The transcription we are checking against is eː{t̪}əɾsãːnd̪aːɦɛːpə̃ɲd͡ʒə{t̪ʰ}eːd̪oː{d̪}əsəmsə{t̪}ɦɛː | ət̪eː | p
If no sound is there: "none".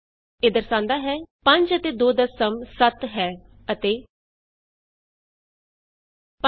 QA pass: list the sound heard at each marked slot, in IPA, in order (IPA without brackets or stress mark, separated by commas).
d̪, t̪, d̪, t̪